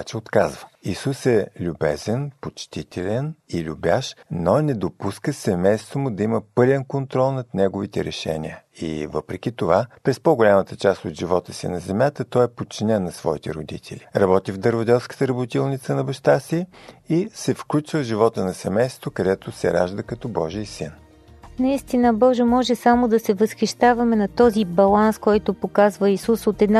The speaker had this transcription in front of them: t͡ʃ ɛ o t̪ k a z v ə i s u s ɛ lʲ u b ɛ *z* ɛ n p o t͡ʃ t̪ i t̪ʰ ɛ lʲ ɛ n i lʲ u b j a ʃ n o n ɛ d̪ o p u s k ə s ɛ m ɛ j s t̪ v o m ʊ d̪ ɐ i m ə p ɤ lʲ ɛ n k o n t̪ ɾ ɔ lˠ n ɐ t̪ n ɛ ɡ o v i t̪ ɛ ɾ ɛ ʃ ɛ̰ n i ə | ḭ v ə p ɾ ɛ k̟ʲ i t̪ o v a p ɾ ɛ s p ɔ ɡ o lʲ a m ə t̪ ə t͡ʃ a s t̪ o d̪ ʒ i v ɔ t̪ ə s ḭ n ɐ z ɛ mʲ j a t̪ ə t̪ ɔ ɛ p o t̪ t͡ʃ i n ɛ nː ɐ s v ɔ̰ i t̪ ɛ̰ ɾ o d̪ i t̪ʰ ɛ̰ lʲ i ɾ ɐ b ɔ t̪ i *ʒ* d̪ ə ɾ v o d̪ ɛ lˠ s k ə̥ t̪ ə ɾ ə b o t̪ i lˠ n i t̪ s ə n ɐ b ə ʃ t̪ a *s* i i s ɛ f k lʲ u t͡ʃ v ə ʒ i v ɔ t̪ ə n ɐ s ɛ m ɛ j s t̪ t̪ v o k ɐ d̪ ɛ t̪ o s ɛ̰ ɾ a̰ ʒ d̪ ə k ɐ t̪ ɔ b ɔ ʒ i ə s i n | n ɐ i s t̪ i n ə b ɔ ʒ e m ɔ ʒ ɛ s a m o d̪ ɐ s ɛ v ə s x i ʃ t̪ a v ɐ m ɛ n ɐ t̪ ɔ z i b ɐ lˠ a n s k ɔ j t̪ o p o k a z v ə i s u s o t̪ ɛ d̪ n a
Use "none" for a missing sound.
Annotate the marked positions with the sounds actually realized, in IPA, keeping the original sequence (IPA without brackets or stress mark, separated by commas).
z, v, s